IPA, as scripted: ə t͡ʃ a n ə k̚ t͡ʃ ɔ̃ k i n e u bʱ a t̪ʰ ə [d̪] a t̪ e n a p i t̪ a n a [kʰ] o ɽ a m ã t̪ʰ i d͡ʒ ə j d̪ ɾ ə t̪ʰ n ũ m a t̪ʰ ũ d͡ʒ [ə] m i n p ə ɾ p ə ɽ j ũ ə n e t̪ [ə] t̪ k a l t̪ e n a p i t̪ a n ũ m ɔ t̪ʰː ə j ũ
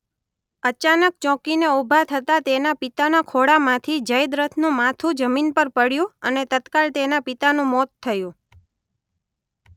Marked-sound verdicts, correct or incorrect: incorrect, correct, correct, correct

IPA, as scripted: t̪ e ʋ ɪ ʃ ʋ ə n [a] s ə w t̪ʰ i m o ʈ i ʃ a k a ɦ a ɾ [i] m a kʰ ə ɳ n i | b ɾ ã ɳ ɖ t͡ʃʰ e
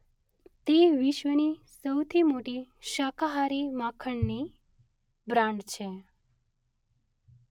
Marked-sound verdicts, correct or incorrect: incorrect, correct

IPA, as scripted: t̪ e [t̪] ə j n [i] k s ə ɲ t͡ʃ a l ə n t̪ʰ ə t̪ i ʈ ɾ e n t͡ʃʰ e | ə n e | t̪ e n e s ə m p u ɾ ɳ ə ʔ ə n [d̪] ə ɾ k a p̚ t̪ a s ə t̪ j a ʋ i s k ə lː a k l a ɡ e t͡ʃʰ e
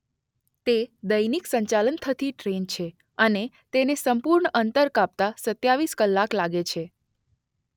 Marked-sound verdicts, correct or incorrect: incorrect, correct, incorrect

